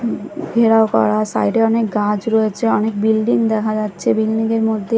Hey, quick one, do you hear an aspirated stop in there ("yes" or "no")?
yes